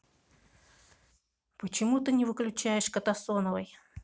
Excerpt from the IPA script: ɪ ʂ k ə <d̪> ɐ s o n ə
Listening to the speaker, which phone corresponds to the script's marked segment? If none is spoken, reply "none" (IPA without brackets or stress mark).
t̪